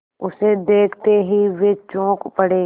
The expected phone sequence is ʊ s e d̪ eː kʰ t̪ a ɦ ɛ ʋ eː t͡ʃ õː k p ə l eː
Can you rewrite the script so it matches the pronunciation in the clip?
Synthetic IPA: ʊ s e d̪ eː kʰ t̪ e ɦ i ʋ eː t͡ʃ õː k p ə ɽ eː